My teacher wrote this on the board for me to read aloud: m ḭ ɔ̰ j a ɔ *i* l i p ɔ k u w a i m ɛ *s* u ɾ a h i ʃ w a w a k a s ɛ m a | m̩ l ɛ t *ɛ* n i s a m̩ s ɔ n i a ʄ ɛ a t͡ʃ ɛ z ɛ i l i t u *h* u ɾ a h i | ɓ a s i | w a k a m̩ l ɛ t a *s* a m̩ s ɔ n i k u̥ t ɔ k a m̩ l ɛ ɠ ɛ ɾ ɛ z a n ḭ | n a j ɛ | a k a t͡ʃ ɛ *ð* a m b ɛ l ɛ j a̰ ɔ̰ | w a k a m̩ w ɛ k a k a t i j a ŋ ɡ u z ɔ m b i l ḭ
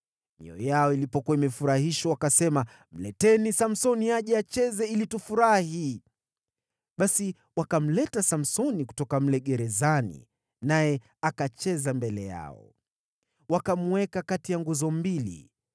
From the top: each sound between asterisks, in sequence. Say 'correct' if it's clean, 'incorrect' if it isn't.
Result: correct, incorrect, correct, incorrect, correct, incorrect

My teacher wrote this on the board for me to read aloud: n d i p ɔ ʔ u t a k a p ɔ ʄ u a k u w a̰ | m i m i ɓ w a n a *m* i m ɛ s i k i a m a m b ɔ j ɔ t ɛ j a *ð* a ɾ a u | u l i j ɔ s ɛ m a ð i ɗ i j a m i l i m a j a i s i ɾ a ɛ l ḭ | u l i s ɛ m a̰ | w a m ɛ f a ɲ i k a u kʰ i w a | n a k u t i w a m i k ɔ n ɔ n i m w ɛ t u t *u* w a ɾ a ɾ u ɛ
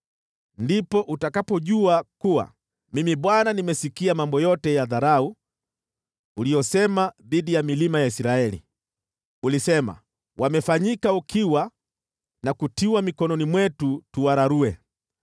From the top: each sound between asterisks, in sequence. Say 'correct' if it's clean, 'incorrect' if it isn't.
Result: incorrect, correct, correct

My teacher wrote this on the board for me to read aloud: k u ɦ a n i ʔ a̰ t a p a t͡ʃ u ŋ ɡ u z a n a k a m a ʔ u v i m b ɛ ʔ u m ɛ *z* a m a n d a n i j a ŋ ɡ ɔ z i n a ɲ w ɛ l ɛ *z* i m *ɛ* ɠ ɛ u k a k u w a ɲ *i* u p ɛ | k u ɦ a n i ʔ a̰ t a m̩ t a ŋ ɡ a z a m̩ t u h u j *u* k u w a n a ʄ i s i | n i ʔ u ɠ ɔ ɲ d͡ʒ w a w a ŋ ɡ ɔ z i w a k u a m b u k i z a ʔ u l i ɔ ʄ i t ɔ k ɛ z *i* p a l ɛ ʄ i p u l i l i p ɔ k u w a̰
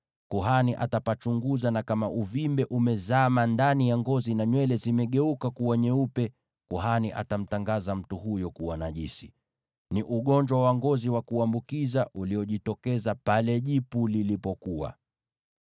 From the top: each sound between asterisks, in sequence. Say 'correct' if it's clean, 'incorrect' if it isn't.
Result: correct, correct, correct, incorrect, incorrect, incorrect

